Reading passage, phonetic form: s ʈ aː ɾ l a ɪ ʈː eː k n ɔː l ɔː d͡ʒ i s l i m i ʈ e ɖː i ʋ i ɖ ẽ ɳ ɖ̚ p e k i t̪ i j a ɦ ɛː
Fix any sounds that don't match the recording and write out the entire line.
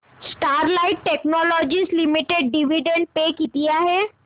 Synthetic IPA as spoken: s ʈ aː ɾ l a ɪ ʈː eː k n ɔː l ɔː d͡ʒ i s l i m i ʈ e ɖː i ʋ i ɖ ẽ ɳ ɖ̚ p e k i t̪ i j a ɦ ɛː

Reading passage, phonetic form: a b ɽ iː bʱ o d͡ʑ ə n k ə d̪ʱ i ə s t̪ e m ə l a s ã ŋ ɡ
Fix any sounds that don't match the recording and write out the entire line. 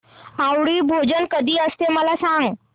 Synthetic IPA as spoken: a w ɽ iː bʱ o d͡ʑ ə n k ə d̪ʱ iː ə s t̪ e m ə l a s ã ŋ ɡ

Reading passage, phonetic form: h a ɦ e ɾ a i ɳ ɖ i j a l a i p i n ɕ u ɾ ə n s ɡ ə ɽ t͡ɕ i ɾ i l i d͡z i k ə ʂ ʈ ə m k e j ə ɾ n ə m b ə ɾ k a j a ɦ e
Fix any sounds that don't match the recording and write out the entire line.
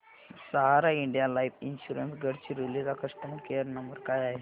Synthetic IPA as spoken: s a ɦ a ɾ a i ɳ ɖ i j a l a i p i n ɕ u ɾ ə n s ɡ ə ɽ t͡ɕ i ɾ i l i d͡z a k ə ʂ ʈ ə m k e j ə ɾ n ə m b ə ɾ k a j a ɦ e

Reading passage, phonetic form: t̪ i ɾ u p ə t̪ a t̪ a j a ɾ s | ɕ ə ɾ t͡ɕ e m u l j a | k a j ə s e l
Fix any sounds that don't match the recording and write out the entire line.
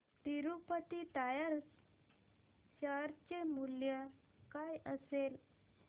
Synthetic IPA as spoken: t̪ i ɾ u p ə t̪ i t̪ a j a ɾ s | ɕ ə ɾ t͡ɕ e m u l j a | k a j ə s e l

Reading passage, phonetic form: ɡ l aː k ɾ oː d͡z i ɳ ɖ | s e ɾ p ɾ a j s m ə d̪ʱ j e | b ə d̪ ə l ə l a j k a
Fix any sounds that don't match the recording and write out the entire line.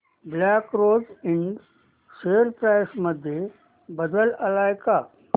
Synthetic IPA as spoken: b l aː k ɾ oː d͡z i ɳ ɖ | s e ɾ p ɾ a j s m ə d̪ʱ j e | b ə d̪ ə l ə l a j k a

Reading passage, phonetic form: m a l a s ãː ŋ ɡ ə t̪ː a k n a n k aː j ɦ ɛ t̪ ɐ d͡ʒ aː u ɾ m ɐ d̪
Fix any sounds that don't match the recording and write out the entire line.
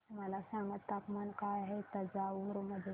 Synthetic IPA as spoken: m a l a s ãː ŋ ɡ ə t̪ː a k m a n k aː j ɦ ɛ t̪ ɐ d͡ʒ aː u ɾ m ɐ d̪

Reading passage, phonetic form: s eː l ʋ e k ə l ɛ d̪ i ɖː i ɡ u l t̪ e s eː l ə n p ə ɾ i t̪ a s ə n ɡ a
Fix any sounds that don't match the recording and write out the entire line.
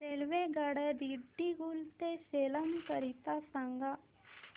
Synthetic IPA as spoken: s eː l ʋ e ɡ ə ɽ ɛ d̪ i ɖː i ɡ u l t̪ e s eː l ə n k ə ɾ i t̪ a s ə ŋ ɡ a

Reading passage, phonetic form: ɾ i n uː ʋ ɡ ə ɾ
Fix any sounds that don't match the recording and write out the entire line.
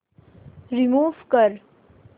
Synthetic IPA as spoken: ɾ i m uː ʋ k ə ɾ

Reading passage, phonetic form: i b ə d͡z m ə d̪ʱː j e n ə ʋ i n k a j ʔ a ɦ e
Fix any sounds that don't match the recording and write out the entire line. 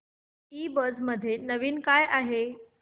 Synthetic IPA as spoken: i b ə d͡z m ə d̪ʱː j e n ə ʋ iː n k a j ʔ a ɦ e

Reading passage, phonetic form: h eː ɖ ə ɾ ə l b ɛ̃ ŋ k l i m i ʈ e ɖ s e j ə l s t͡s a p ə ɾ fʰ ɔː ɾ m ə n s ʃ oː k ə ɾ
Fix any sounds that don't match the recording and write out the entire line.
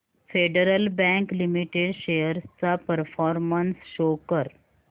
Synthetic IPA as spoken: f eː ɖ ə ɾ ə l b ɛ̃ ŋ k l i m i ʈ e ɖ ʃ e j ə ɾ s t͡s a p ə ɾ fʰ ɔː ɾ m ə n s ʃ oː k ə ɾ

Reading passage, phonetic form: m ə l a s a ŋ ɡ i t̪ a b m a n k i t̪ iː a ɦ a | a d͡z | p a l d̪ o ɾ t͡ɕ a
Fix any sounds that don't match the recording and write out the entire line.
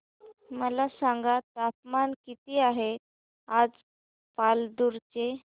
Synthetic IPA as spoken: m ə l a s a ŋ ɡ a t̪ a p m a n k i t̪ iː a ɦ e | a d͡z | p a l d̪ u ɾ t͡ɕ e

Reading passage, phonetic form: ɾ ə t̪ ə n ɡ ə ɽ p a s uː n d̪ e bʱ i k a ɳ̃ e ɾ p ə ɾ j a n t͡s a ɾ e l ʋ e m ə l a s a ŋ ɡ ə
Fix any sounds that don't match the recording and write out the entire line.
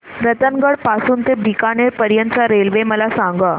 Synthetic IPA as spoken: ɾ ə t̪ ə n ɡ ə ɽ p a s uː n t̪ e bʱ i k a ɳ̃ e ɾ p ə ɾ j ə n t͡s a ɾ e l ʋ e m ə l a s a ŋ ɡ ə

